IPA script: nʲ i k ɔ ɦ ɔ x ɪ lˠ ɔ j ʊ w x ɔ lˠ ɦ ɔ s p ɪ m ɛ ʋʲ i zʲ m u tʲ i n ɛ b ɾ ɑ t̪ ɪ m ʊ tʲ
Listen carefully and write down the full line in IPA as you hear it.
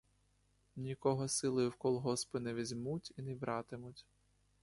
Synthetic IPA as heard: nʲ i k ɔ ɦ ɔ s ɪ lˠ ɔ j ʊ w k ɔ lˠ ɦ ɔ s p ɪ n ɛ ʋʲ i zʲ m u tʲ i n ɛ b ɾ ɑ t̪ ɪ m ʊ tʲ